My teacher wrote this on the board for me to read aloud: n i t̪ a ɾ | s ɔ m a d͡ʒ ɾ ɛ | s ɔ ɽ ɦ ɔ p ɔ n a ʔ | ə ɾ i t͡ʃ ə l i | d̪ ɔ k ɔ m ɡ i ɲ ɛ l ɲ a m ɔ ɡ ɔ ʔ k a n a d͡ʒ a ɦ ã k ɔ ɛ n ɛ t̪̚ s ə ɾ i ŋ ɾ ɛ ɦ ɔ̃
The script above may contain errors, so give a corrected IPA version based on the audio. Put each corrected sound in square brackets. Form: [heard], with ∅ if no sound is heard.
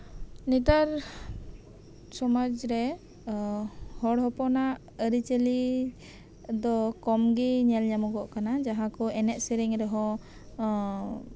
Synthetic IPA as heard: n i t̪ a ɾ | s ɔ m a d͡ʒ ɾ ɛ | [h] ɔ ɽ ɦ ɔ p ɔ n a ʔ | ə ɾ i t͡ʃ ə l i | d̪ ɔ k ɔ m ɡ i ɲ ɛ l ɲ a m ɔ ɡ ɔ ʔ k a n a d͡ʒ a ɦ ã k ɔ ɛ n ɛ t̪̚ s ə ɾ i ŋ ɾ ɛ ɦ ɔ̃

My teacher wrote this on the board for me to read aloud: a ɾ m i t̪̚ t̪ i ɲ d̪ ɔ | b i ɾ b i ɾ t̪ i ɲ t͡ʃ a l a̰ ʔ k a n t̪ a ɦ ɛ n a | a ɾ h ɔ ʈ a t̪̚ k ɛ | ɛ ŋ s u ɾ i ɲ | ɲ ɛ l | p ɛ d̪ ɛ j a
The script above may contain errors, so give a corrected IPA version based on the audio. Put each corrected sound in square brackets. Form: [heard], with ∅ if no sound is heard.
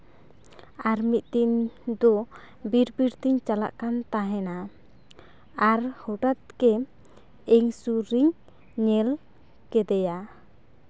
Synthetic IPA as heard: a ɾ m i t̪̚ t̪ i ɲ d̪ ɔ | b i ɾ b i ɾ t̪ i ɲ t͡ʃ a l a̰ ʔ k a n t̪ a ɦ ɛ n a | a ɾ h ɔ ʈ a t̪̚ k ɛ | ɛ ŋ s u ɾ i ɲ | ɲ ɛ l | [k] ɛ d̪ ɛ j a

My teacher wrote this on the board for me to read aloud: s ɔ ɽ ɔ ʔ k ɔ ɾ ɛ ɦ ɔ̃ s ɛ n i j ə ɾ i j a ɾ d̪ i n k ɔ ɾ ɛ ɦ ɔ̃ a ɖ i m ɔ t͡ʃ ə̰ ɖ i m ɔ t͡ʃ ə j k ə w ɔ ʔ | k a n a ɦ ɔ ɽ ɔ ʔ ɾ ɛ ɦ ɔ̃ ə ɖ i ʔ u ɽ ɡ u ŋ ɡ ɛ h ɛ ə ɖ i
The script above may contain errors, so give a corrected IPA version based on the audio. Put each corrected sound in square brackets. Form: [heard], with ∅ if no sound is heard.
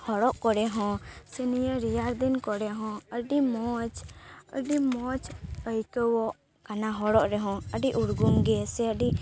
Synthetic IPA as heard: [h] ɔ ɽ ɔ ʔ k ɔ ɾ ɛ ɦ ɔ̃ s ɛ n i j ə ɾ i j a ɾ d̪ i n k ɔ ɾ ɛ ɦ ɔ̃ [ə] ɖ i m ɔ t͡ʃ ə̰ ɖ i m ɔ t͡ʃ ə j k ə w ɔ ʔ | k a n a ɦ ɔ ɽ ɔ ʔ ɾ ɛ ɦ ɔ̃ ə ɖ i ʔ u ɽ ɡ u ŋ ɡ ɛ [s] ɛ ə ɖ i

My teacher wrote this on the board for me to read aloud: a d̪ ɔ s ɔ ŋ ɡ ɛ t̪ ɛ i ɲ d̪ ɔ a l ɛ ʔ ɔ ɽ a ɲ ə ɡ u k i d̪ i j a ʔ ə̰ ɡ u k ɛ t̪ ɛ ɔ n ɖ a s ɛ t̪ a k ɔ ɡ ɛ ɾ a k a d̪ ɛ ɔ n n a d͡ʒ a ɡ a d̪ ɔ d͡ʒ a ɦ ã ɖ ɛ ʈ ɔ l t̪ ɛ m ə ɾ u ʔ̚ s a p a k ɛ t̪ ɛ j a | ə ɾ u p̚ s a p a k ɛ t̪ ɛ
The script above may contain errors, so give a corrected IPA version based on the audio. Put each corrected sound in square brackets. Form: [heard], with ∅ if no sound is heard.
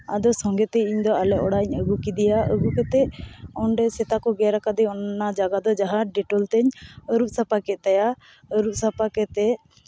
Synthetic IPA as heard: a d̪ ɔ s ɔ ŋ ɡ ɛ t̪ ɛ i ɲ d̪ ɔ a l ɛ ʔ ɔ ɽ a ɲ ə ɡ u k i d̪ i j a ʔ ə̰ ɡ u k ɛ t̪ ɛ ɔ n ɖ [ɛ] s ɛ t̪ a k ɔ ɡ ɛ ɾ a k a d̪ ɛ ɔ n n a d͡ʒ a ɡ a d̪ ɔ d͡ʒ a ɦ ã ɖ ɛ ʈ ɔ l t̪ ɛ [ɲ] ə ɾ u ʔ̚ s a p a k ɛ t̪ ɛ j a | ə ɾ u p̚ s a p a k ɛ t̪ ɛ

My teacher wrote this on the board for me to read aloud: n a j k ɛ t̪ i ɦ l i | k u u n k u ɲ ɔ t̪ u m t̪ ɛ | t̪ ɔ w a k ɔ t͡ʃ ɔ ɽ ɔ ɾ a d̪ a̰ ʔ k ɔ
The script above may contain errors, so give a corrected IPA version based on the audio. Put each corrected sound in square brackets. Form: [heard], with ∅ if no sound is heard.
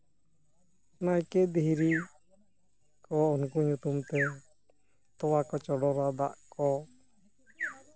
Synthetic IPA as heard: n a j k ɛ [d̪] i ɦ [ɾ] i | k [ɔ] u n k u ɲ [u] t̪ u m t̪ ɛ | t̪ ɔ w a k ɔ t͡ʃ ɔ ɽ ɔ ɾ a d̪ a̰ ʔ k ɔ

